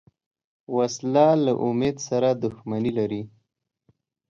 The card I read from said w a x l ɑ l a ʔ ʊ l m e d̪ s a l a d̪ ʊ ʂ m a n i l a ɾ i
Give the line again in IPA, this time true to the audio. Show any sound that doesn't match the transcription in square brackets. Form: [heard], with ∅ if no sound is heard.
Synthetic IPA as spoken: w a [s] l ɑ l a ʔ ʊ [∅] m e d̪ s a [ɾ] a d̪ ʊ [x] m a n i l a ɾ i

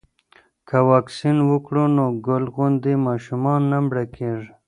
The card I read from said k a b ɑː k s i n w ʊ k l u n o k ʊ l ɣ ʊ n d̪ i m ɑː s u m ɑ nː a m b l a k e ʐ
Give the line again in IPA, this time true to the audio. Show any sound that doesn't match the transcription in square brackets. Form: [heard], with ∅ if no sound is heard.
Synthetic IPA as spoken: k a [w] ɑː k s i n w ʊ k [ɽ] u n o [ɡ] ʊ l ɣ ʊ n d̪ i m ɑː [ʃ] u m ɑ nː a m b [ɽ] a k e ʐ

